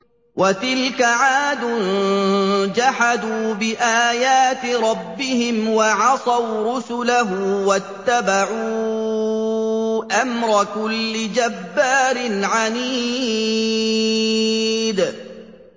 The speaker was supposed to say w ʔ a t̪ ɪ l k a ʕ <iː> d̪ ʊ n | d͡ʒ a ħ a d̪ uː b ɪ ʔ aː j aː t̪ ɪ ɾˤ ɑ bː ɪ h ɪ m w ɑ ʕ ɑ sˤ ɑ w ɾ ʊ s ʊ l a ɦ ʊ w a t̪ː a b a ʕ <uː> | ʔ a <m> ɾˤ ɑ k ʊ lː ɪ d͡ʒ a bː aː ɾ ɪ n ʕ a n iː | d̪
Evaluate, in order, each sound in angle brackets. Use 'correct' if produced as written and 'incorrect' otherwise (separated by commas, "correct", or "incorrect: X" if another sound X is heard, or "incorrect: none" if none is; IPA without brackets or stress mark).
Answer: incorrect: aː, correct, correct